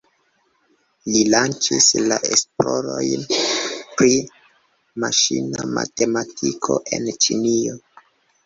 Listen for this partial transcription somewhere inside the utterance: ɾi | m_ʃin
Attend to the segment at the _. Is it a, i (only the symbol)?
a